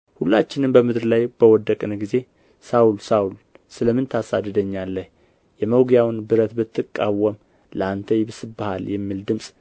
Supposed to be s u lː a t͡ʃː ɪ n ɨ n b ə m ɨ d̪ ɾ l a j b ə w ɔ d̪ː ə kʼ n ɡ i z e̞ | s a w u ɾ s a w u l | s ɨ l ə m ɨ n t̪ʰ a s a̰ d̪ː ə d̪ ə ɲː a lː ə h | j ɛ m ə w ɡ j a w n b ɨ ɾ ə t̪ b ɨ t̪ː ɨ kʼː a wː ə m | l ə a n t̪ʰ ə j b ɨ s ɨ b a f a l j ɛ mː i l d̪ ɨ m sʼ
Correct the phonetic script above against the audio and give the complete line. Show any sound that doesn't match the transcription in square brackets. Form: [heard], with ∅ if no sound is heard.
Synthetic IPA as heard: [h] u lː a t͡ʃː ɪ n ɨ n b ə m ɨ d̪ ɾ l a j b ə w ɔ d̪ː ə kʼ n ɡ i z e̞ | s a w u [l] s a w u l | s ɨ l ə m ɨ n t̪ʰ a s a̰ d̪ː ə d̪ ə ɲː a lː ə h | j ɛ m ə w ɡ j a w n b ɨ ɾ ə t̪ b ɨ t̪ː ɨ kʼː a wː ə m | l ə a n t̪ʰ ə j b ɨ s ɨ b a [h] a l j ɛ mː i l d̪ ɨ m sʼ